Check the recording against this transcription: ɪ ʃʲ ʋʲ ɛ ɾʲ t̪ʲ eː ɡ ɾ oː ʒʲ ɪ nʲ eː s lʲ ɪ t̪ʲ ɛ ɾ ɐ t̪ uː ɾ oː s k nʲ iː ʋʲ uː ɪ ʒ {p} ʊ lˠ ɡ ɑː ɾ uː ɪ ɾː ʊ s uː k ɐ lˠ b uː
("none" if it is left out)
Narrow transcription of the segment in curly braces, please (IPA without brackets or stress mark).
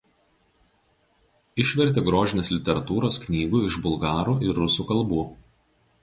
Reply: b